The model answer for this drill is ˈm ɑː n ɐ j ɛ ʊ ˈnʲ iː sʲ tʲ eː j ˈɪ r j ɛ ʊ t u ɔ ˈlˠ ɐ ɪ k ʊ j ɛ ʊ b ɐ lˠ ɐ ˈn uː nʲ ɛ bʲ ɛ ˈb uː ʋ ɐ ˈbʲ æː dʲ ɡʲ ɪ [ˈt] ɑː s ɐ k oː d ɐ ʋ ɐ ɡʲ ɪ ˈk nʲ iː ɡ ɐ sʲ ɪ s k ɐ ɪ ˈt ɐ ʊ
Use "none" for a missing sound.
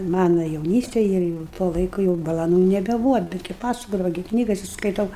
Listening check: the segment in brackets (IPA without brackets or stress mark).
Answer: p